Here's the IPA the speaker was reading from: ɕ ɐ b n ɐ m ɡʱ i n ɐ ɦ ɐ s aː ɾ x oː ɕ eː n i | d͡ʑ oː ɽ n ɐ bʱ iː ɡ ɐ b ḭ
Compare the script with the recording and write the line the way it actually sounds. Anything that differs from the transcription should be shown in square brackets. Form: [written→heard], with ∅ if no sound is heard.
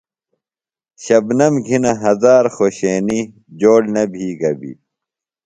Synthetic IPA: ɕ ɐ b n ɐ m ɡʱ i n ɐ ɦ ɐ [s→z] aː ɾ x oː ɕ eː n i | d͡ʑ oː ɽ n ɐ bʱ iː ɡ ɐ b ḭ